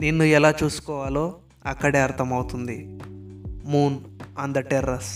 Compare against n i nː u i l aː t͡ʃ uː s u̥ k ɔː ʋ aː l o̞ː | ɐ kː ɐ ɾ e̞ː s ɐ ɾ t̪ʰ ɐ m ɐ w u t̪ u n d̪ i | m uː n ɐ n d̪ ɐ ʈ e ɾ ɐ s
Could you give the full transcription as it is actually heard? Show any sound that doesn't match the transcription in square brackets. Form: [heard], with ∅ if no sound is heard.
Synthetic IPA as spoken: n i nː u [ɛ] l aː t͡ʃ uː s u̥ k ɔː ʋ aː l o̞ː | ɐ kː ɐ [ɽ] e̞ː [∅] ɐ ɾ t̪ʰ ɐ m ɐ w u t̪ u n d̪ i | m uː n ɐ n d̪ ɐ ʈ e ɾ ɐ s